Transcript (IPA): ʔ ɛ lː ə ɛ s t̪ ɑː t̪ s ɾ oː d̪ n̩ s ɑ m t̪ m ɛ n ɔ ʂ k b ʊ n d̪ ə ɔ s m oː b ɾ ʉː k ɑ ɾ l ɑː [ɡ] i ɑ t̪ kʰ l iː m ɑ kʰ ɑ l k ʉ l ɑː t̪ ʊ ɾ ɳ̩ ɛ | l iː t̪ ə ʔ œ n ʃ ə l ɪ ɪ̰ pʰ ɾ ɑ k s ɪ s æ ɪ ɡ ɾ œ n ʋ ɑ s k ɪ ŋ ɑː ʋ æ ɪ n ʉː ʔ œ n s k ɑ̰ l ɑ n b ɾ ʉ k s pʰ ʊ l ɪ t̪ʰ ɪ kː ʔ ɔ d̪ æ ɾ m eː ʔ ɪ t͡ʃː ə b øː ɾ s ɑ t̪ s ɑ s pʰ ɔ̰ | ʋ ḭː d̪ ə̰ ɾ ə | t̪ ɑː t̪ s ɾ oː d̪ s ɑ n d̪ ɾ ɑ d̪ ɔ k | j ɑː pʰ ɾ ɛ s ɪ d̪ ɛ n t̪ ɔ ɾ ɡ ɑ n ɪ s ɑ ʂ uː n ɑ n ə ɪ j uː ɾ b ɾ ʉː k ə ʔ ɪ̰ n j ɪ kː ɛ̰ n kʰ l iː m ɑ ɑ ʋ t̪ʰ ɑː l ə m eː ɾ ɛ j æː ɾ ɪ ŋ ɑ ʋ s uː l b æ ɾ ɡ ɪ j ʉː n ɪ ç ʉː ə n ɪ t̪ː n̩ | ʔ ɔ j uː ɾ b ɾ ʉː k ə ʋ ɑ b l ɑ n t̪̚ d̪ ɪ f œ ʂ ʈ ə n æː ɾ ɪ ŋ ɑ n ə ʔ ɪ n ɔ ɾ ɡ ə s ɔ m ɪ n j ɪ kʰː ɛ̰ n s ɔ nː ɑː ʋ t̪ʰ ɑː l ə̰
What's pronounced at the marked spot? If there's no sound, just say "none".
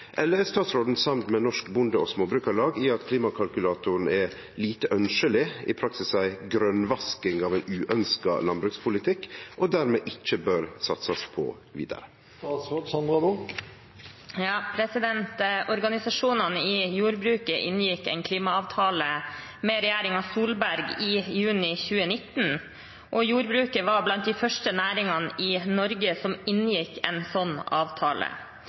ɡ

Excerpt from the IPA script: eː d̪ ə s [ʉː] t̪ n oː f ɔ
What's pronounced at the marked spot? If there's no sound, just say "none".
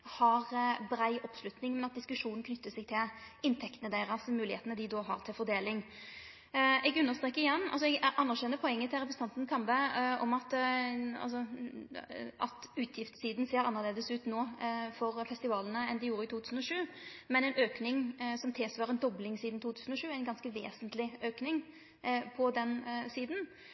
ʉː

